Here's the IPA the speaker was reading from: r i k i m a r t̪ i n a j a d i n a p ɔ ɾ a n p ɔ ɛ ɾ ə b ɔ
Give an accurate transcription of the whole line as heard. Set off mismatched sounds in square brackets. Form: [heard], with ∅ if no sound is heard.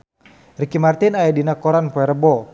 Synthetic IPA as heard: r i k i m a r t̪ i n a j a d i n a [k] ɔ ɾ a n p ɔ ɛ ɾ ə b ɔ